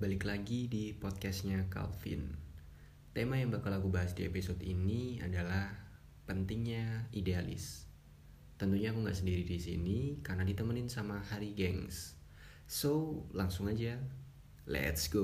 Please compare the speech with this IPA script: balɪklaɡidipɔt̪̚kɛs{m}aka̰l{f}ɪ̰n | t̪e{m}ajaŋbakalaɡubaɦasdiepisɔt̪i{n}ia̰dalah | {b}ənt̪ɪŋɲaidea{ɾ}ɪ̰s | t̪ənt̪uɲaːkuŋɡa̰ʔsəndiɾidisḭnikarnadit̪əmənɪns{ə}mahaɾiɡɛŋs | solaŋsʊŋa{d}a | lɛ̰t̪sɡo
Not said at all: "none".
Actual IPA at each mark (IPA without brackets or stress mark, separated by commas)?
ɲ, f, m, n, p, l, a, d͡ʒ